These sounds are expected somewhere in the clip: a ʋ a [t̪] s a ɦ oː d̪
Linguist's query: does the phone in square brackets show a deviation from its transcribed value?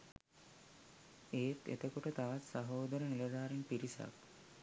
no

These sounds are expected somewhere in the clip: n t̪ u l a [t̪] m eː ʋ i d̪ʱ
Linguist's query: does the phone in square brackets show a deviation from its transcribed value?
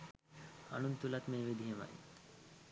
no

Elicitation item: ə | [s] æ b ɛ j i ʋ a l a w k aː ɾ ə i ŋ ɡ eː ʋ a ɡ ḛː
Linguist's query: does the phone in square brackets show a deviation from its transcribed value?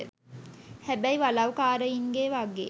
yes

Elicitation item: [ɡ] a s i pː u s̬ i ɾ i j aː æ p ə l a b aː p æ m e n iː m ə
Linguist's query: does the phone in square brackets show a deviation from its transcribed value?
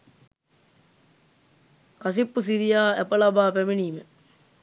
yes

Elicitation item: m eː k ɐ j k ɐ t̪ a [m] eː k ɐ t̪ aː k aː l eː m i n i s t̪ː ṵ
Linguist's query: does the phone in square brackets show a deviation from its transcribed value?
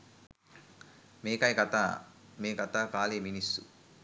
no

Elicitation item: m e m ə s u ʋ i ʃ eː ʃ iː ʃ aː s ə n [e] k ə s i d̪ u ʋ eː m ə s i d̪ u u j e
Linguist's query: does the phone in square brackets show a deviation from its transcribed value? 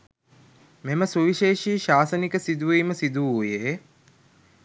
yes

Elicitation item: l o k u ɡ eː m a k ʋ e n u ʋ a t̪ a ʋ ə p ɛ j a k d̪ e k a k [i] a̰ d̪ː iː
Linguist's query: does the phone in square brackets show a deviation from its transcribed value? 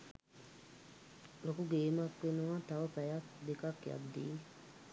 yes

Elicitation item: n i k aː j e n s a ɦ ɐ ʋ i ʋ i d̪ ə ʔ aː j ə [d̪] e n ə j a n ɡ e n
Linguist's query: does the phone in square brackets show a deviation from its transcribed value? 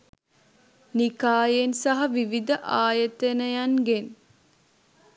yes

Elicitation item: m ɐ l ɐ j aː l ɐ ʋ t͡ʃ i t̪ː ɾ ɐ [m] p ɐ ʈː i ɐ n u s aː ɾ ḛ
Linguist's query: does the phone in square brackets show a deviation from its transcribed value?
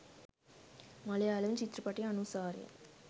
yes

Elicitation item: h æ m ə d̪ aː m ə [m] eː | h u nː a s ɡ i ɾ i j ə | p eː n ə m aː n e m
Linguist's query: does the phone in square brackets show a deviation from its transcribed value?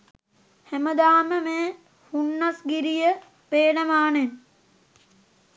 no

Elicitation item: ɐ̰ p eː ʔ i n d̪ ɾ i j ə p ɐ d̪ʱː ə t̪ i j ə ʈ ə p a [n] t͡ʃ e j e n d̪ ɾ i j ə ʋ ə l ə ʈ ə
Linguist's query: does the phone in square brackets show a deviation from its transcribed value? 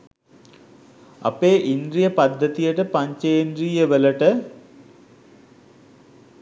yes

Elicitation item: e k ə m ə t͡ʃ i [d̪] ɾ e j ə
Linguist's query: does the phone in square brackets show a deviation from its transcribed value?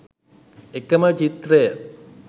yes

